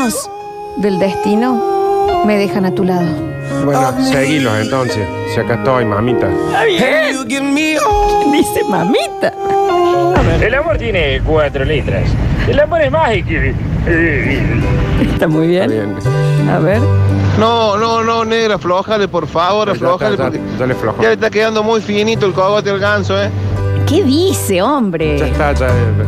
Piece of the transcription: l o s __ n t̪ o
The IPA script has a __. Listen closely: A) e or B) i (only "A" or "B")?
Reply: A